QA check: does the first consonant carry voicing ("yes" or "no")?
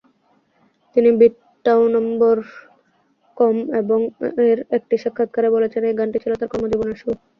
no